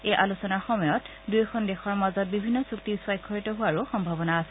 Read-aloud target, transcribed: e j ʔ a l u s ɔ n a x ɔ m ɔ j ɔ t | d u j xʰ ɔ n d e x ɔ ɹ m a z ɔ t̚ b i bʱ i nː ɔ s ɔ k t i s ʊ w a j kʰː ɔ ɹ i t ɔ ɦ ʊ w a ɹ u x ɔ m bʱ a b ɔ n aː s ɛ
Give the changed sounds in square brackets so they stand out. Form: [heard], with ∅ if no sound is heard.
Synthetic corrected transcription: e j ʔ a l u s ɔ n a x ɔ m ɔ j ɔ t | d u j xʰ ɔ n d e x ɔ ɹ m a z ɔ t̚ b i bʱ i nː ɔ s [u] k t i s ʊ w a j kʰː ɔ ɹ i t ɔ ɦ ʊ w a ɹ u x ɔ m bʱ a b ɔ n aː s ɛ

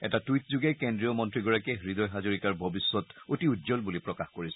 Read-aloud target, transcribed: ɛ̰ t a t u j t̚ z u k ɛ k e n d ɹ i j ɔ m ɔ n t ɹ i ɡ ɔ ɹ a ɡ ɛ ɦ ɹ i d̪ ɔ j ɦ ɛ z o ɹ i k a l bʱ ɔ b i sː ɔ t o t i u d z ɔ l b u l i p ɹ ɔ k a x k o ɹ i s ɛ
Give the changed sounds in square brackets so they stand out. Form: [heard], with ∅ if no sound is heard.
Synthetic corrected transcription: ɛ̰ t a t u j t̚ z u [ɡ] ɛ k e n d ɹ i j ɔ m ɔ n t ɹ i ɡ ɔ ɹ a [k] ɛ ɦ ɹ i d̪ ɔ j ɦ [a] z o ɹ i k a [ɹ] bʱ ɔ b i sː ɔ t o t i u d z ɔ l b u l i p ɹ ɔ k a x k o ɹ i s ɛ

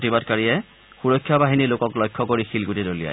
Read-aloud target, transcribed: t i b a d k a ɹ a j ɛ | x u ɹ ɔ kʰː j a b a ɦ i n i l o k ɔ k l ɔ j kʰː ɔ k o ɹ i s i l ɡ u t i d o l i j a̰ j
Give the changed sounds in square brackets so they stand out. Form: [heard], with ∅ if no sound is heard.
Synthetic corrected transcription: t i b a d k a ɹ [i] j ɛ | x u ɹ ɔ kʰː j a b a ɦ i n i l o k ɔ k l ɔ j kʰː ɔ k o ɹ i [x] i l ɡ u t i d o l i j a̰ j

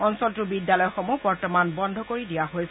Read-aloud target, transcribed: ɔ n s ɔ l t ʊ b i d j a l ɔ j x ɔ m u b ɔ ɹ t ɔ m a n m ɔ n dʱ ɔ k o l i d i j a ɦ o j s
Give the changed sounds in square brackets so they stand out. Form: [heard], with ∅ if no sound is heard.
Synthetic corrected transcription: ɔ n s ɔ l t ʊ b i d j a l ɔ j x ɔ m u b ɔ ɹ t ɔ m a n [b] ɔ n dʱ ɔ k o [ɹ] i d i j a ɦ o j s

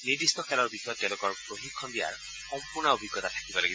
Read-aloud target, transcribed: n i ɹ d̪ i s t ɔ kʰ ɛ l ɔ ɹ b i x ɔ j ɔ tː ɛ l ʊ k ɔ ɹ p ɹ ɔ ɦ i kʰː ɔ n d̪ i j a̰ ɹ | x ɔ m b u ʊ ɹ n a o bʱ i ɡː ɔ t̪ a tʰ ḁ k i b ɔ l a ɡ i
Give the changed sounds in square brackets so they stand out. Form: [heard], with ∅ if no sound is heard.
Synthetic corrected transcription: n i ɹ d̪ i s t ɔ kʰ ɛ l ɔ ɹ b i x ɔ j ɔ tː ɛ l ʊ k ɔ ɹ p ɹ [o] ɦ i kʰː ɔ n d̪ i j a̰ ɹ | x ɔ m [p] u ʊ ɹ n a o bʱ i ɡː ɔ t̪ a tʰ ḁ k i b ɔ l a ɡ i

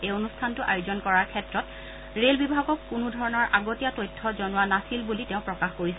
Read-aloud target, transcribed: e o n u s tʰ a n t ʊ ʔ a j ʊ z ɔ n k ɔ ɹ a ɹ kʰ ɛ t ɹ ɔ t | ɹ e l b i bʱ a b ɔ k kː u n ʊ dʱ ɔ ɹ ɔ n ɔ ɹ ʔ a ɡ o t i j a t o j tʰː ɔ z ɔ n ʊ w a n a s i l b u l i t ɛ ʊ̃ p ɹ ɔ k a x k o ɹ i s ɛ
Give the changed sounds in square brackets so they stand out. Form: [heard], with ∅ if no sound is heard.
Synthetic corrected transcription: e o n u s tʰ a n t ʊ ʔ a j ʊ z ɔ n k ɔ ɹ a ɹ kʰ ɛ t ɹ ɔ t | ɹ e l b i bʱ a [ɡ] ɔ k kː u n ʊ dʱ ɔ ɹ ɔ n ɔ ɹ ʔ a ɡ o t i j a t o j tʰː ɔ z ɔ n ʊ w a n a s i l b u l i t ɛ ʊ̃ p ɹ ɔ k a x k o ɹ i s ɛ

